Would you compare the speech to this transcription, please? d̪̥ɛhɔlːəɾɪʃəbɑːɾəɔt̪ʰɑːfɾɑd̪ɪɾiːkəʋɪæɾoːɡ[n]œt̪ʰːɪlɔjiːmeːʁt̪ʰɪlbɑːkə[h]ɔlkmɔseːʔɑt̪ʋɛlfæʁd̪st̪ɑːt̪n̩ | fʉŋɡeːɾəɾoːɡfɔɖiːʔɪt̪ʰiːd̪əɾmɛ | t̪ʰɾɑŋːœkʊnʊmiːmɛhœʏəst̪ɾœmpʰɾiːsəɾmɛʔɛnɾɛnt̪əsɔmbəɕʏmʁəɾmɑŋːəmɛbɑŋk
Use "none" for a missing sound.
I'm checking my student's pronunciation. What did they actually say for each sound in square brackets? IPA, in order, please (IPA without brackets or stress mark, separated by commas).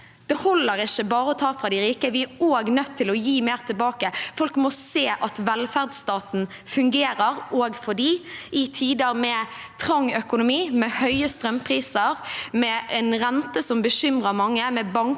n, f